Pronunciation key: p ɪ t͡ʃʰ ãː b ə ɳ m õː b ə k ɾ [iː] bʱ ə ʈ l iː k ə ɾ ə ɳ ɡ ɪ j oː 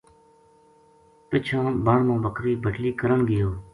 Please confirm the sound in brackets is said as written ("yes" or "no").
yes